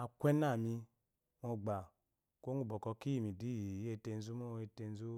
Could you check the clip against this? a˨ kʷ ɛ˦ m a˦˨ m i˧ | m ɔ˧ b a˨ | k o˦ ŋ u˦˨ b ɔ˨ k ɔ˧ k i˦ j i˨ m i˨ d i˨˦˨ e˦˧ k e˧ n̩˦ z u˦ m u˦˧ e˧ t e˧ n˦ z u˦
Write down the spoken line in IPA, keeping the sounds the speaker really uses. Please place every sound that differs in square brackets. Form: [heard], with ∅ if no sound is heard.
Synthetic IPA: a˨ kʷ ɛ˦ [n] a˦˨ m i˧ | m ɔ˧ [ɡ͡b] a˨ | k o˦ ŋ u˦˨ b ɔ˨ k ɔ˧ k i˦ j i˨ m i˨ d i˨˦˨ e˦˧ [t] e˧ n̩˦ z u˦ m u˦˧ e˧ t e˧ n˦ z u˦